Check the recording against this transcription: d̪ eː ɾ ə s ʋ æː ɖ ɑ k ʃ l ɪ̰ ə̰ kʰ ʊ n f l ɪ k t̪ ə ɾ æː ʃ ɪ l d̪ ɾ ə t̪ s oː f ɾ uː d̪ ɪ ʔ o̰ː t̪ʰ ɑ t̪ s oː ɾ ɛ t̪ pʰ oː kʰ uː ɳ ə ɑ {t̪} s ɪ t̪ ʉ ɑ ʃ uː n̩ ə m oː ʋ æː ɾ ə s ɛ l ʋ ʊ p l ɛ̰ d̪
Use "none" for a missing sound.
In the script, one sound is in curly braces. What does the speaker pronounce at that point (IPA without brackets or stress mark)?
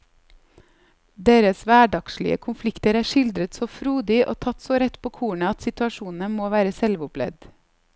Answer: t̪